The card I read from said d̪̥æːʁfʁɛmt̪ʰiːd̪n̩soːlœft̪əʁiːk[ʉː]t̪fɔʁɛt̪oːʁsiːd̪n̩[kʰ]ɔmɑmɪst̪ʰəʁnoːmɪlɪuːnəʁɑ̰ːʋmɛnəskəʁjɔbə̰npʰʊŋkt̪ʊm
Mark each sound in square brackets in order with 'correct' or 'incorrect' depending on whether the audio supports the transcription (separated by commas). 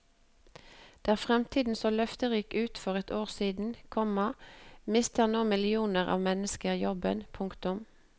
correct, correct